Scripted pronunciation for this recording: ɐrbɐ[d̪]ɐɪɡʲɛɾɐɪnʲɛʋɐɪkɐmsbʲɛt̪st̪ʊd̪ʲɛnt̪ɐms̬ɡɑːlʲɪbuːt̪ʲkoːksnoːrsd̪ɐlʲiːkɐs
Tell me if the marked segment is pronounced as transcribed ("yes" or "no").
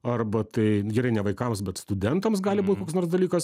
no